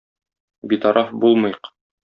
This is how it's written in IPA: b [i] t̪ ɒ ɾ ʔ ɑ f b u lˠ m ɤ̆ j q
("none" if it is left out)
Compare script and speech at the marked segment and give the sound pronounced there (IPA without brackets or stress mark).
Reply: i